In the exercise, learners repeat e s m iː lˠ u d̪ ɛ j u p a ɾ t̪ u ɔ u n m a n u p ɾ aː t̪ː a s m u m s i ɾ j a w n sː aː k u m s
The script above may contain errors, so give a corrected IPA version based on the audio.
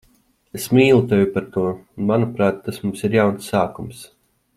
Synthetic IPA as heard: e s m iː lˠ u t̪ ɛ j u p a ɾ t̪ u ɔ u n m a n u p ɾ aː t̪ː a s m u m s i ɾ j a w n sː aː k u m s